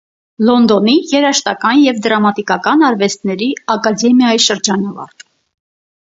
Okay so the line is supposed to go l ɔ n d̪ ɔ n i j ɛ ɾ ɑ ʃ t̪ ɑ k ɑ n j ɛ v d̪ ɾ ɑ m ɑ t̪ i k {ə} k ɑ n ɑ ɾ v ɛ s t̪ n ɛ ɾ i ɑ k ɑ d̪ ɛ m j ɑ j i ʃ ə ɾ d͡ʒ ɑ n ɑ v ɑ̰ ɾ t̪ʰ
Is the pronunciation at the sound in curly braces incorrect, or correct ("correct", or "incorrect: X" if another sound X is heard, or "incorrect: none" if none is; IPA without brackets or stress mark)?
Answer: incorrect: ɑ